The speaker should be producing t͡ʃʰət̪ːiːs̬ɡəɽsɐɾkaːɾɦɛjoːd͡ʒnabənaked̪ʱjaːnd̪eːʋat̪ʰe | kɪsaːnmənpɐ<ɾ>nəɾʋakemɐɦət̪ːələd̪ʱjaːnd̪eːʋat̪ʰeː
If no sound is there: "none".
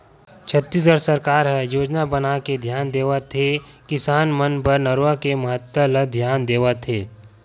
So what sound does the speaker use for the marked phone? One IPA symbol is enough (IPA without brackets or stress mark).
ɾ